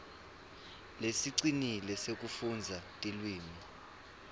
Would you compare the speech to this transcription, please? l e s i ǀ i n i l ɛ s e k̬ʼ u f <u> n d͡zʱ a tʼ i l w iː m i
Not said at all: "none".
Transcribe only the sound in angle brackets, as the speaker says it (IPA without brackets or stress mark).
u